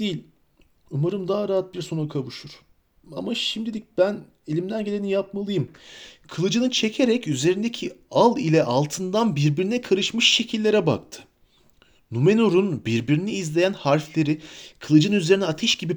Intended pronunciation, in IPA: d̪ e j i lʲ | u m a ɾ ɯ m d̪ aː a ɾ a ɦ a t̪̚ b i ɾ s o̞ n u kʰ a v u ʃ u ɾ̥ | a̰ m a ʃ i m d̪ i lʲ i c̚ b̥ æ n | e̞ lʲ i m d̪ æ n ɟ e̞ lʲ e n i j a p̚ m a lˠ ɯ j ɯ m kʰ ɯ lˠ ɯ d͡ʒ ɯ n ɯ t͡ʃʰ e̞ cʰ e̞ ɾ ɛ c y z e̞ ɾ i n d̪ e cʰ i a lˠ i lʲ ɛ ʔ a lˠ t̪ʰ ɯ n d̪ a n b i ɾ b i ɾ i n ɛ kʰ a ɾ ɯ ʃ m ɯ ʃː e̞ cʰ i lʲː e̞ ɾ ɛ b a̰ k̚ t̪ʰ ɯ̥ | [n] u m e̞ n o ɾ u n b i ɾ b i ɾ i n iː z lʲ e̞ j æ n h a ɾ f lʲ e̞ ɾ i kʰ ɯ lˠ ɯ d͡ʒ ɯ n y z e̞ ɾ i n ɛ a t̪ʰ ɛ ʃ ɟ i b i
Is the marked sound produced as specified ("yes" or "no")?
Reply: yes